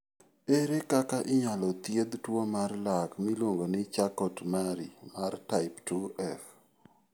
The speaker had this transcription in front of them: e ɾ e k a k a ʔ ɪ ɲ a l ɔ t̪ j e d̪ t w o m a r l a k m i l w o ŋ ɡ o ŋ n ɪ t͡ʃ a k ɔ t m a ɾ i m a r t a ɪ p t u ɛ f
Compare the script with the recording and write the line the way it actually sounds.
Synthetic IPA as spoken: e ɾ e k a k a ʔ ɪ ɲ a l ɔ t̪ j e d̪ t w o m a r l a k m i l w o ŋ ɡ o n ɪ t͡ʃ a k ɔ t m a ɾ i m a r t a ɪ p t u ɛ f